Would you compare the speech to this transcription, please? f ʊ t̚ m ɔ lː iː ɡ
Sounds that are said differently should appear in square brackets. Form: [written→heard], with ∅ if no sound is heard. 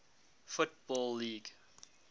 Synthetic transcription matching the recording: f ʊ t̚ [m→b] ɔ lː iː ɡ